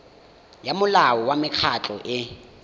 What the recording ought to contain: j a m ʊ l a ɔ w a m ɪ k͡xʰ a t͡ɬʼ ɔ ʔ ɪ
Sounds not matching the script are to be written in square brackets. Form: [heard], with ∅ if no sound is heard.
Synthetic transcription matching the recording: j a m ʊ l a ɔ w a m ɪ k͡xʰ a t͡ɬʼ ɔ ʔ ɪ

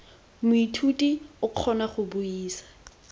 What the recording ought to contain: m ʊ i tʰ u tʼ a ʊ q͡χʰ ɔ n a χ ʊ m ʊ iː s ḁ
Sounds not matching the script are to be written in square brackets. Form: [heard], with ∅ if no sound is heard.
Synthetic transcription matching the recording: m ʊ i tʰ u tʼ [i] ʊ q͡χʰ ɔ n a χ ʊ [b] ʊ iː s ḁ

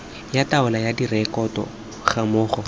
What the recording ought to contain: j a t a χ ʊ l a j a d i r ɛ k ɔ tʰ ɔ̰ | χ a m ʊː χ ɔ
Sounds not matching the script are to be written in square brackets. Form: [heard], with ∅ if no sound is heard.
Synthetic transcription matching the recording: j a t a [∅] ʊ l a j a d i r ɛ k ɔ [t] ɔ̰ | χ a m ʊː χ ɔ

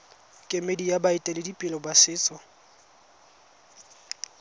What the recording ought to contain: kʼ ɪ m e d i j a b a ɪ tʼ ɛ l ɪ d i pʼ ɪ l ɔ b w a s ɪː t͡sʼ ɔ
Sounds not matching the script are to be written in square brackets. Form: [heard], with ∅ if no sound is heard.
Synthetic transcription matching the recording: kʼ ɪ m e d i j a b a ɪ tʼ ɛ l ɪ d i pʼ ɪ l ɔ b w a s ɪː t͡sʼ ɔ

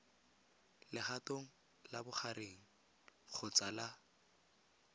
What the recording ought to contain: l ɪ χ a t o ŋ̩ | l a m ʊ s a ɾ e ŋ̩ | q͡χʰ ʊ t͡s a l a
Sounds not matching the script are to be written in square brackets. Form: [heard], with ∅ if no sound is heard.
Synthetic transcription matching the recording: l ɪ χ a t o ŋ̩ | l a [b] ʊ [χ] a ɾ e ŋ̩ | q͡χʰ ʊ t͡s a l a

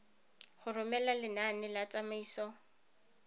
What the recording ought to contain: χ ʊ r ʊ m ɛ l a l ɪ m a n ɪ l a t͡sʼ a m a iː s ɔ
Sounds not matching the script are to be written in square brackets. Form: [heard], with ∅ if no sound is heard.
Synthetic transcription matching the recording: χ ʊ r ʊ m ɛ l a l ɪ [n] a n ɪ l a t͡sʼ a m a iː s ɔ

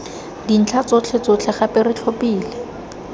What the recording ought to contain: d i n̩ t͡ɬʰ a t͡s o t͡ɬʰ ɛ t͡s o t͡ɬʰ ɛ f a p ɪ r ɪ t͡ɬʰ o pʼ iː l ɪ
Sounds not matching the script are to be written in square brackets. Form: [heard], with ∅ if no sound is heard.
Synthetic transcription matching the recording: d i n̩ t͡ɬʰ a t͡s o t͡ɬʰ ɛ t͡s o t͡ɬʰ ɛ [χ] a p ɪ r ɪ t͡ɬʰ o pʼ iː l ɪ

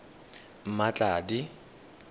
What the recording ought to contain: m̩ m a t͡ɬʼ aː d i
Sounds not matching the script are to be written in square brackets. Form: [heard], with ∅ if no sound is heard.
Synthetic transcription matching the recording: m̩ m a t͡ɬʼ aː d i

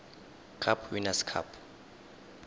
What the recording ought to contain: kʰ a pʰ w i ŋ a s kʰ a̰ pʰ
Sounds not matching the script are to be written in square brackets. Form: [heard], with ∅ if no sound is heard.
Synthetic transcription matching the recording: kʰ a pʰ w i [n] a s kʰ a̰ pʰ

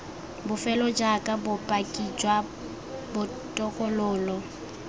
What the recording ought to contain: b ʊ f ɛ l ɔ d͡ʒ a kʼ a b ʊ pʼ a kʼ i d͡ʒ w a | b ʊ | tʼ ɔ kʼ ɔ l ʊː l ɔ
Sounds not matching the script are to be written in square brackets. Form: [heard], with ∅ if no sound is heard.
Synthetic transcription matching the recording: b ʊ f ɛ l ɔ d͡ʒ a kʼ a b ʊ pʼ a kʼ i d͡ʒ w a | b ʊ | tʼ ɔ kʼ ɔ l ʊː l ɔ

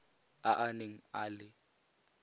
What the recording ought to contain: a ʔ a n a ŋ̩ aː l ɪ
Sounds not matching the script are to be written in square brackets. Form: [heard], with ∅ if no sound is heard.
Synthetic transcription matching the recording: a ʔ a n [e] ŋ̩ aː l ɪ

